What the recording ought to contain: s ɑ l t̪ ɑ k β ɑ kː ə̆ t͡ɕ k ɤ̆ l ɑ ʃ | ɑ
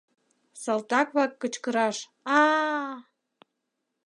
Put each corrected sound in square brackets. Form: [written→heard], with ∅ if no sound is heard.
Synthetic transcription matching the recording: s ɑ l t̪ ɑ k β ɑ kː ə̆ t͡ɕ k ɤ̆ [l→ɾ] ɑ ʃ | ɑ